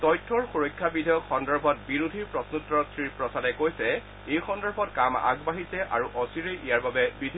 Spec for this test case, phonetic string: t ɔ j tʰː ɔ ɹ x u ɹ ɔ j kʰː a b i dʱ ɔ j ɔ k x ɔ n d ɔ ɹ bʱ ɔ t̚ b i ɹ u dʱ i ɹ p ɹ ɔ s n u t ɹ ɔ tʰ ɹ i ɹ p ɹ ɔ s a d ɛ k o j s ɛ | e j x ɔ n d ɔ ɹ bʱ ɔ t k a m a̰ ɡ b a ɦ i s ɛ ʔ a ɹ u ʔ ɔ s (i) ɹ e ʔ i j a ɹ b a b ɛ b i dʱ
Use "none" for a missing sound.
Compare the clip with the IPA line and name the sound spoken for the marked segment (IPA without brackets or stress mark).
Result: i